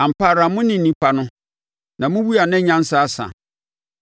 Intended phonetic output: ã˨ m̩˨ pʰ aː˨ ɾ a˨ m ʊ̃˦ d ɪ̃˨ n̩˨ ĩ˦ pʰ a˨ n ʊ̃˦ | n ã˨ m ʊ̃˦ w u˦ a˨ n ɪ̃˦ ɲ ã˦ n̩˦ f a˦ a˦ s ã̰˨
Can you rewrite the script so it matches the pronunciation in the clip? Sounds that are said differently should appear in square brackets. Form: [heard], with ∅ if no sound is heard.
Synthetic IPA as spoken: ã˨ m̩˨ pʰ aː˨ ɾ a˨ m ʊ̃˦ [n] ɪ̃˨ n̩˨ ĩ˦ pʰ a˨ n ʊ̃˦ | n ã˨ m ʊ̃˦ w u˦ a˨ n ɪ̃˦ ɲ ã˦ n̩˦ [s] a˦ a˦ s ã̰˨